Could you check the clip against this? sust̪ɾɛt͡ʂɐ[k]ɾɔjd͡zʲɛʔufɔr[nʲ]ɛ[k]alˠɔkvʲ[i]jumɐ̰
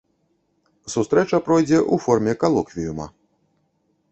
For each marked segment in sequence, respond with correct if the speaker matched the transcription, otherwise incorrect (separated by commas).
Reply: incorrect, incorrect, correct, correct